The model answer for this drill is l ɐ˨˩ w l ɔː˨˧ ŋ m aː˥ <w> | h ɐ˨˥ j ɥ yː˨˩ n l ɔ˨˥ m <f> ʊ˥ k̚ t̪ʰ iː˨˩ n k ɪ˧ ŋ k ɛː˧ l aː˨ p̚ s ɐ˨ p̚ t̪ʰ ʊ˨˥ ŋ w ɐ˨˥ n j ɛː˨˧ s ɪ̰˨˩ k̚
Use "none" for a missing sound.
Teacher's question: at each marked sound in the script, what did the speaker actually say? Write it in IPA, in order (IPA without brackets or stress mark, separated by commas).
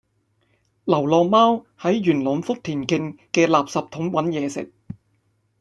w, f